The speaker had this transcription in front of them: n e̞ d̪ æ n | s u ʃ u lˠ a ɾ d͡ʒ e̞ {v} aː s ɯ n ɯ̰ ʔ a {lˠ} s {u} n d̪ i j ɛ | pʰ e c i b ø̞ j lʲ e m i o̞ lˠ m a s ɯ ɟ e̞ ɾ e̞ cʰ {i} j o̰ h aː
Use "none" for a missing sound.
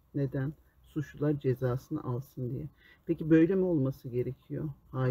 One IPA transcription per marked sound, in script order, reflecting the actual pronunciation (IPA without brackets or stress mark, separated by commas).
z, lˠ, ɯ, i